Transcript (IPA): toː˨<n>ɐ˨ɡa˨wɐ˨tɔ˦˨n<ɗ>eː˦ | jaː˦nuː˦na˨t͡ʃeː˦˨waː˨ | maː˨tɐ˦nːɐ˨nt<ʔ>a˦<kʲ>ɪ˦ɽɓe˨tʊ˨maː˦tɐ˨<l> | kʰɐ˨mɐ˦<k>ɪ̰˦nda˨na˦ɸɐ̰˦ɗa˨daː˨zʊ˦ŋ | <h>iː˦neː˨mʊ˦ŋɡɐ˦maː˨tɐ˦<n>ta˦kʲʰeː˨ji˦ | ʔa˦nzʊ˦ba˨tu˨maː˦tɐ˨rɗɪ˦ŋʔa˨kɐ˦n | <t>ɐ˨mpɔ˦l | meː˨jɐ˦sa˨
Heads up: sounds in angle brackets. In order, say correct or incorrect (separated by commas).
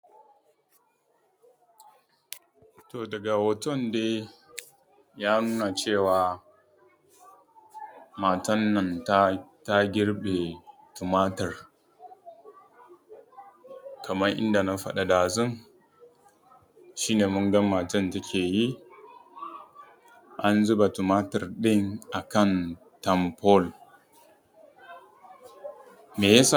incorrect, incorrect, incorrect, incorrect, incorrect, incorrect, incorrect, correct, correct